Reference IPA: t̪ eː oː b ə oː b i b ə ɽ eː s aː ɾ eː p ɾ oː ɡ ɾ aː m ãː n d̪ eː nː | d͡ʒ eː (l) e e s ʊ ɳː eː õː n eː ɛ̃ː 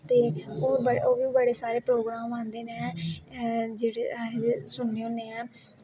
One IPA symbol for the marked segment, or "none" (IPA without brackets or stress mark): ɽ